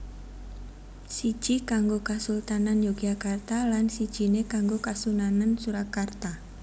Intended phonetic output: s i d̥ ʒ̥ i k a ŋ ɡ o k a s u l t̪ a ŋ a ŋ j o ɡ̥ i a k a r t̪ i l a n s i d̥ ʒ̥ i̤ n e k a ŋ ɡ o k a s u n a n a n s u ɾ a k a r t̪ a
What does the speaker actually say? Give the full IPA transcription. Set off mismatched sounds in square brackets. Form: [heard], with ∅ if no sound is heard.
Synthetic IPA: s i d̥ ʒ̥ i k a ŋ ɡ o k a s u l t̪ a [n] a [n] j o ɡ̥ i a k a r t̪ [a] l a n s i d̥ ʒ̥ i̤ n e k a ŋ ɡ o k a s u n a n a n s u ɾ a k a r t̪ a